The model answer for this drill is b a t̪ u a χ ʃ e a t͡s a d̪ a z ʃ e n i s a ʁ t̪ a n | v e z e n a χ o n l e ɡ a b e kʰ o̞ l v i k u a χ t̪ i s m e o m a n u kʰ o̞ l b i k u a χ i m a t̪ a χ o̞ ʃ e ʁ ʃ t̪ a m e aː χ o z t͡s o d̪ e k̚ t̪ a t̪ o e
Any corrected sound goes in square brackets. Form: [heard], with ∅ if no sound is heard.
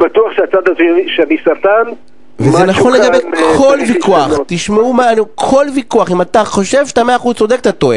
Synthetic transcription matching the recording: b a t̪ u a χ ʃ e a t͡s a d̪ a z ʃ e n i s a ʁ t̪ a n | v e z e n a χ o n l e ɡ a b e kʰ o̞ l v i k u a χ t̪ i [ʃ] m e [u] m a n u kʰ o̞ l [v] i k u a χ i m a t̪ a χ o̞ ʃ e [v] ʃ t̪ a m e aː χ [u] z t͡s o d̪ e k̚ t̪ a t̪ o e